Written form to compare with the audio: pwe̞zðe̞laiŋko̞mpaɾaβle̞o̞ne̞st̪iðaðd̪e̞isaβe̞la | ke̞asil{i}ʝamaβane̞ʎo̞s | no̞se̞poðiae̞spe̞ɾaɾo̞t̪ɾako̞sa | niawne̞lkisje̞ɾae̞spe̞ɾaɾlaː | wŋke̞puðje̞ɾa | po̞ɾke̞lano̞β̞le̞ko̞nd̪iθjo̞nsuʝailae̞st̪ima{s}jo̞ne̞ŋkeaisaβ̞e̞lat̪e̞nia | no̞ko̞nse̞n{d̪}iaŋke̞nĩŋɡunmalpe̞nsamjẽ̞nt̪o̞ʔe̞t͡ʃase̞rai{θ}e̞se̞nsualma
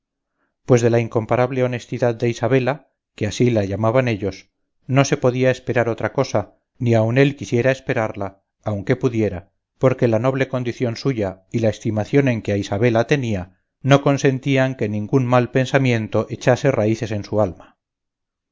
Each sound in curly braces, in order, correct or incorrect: incorrect: a, incorrect: θ, incorrect: t̪, correct

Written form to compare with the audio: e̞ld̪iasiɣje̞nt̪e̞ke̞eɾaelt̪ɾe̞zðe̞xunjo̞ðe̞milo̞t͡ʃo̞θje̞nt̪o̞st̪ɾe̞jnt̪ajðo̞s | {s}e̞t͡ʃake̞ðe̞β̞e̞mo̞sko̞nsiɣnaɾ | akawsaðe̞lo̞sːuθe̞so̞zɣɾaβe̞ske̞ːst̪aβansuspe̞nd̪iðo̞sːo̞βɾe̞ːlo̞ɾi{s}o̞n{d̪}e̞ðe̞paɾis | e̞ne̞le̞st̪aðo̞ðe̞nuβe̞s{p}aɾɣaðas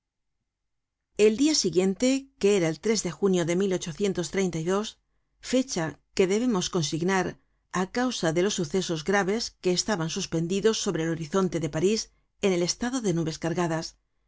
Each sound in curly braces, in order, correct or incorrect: incorrect: f, incorrect: θ, incorrect: t̪, incorrect: k

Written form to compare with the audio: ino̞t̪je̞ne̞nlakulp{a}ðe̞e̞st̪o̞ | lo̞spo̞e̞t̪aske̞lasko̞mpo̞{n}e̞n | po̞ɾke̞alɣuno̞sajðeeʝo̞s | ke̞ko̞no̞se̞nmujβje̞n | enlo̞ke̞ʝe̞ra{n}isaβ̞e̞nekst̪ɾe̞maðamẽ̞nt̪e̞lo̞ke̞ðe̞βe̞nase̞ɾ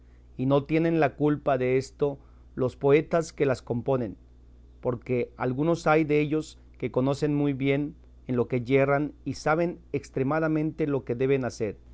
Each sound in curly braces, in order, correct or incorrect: correct, correct, correct

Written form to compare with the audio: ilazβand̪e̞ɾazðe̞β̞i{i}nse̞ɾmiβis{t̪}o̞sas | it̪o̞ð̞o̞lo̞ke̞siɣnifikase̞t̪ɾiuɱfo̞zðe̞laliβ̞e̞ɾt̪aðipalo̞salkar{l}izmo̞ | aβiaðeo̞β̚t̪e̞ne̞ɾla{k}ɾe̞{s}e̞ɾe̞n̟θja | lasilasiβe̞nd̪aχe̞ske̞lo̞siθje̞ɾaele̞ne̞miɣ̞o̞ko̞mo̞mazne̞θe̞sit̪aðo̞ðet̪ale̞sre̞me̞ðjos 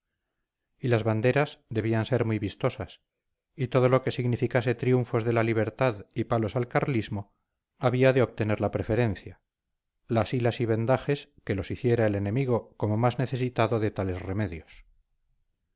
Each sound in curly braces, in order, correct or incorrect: incorrect: a, correct, correct, incorrect: p, incorrect: f

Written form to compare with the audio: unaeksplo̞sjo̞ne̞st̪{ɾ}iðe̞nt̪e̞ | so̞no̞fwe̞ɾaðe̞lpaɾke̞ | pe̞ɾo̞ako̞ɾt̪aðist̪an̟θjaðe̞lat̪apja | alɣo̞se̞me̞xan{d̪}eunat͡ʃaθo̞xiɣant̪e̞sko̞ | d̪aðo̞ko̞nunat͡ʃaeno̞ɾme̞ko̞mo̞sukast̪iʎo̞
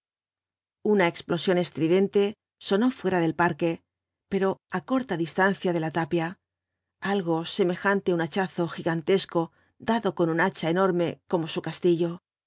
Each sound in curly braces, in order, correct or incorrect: correct, incorrect: t̪

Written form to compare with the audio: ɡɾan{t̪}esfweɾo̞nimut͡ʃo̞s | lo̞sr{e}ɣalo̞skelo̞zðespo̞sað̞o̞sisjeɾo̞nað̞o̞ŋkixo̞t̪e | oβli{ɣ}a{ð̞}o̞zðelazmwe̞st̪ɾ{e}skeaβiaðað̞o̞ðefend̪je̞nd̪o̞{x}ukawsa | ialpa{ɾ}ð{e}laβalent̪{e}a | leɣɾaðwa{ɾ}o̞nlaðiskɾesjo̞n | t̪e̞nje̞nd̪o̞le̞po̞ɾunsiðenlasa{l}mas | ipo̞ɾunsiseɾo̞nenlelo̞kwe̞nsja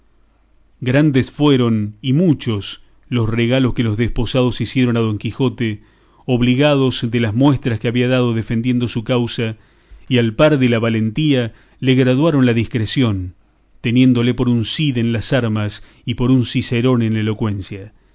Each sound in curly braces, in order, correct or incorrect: incorrect: d̪, correct, correct, correct, incorrect: a, incorrect: s, correct, correct, incorrect: i, correct, incorrect: ɾ

